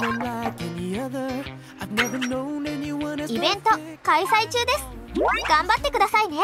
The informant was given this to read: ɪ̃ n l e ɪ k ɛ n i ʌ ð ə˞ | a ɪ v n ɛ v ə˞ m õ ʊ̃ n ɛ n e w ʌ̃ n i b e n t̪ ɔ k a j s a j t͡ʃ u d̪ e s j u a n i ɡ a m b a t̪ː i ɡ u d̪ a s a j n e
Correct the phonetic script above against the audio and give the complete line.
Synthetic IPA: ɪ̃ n l a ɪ k ɛ n i ʌ ð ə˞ | a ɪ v n ɛ v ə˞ n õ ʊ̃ n ɛ n i w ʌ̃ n i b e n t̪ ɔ k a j s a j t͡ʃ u d̪ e s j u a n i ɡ a m b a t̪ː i k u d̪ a s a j n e